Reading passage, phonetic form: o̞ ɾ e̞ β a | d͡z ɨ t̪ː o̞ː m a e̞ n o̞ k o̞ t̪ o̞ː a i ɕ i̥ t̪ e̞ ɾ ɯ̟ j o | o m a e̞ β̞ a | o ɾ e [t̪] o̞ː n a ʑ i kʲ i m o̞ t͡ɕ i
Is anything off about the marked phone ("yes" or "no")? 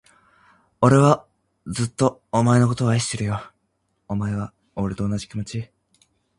no